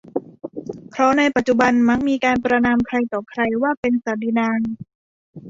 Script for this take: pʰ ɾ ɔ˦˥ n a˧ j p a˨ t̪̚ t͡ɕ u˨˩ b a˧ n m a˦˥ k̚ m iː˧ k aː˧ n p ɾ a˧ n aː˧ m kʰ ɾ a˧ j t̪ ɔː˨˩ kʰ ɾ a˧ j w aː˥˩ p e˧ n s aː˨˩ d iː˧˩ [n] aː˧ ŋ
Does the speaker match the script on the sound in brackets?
yes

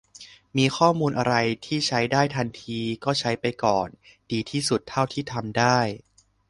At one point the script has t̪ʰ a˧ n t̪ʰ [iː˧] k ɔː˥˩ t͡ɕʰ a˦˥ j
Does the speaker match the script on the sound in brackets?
yes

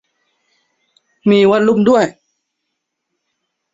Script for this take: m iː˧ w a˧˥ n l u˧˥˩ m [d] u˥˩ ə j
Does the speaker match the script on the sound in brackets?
yes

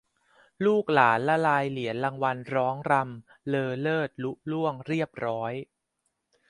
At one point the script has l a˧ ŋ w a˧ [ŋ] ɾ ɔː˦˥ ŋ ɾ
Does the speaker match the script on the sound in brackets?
no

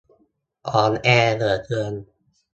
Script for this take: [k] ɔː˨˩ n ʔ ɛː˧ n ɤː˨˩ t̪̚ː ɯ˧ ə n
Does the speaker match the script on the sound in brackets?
no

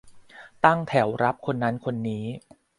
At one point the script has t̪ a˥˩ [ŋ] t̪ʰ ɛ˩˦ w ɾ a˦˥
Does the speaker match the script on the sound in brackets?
yes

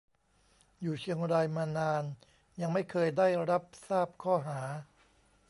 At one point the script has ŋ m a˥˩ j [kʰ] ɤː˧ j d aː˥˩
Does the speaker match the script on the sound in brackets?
yes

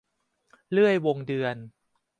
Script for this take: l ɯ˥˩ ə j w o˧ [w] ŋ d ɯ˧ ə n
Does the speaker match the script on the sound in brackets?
no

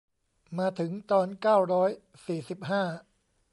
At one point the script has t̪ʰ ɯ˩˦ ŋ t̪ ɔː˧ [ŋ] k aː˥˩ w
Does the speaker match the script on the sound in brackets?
no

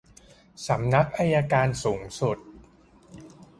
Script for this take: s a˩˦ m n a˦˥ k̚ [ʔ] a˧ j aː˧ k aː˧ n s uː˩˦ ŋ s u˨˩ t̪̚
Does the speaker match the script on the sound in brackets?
yes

